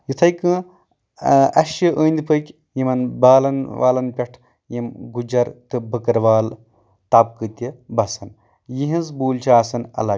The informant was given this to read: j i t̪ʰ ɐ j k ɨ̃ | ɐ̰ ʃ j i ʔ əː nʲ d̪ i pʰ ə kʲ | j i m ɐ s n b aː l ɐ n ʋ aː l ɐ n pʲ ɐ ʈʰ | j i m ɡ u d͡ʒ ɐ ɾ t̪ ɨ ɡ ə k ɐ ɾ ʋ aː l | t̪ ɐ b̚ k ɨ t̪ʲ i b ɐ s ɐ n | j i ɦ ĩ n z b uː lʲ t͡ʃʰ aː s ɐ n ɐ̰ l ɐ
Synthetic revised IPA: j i t̪ʰ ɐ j k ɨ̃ | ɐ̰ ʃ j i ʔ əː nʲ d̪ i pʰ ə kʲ | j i m ɐ n b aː l ɐ n ʋ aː l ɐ n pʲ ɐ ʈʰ | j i m ɡ u d͡ʒ ɐ ɾ t̪ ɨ b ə k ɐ ɾ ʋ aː l | t̪ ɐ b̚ k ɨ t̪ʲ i b ɐ s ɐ n | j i ɦ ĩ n z b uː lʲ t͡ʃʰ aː s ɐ n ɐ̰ l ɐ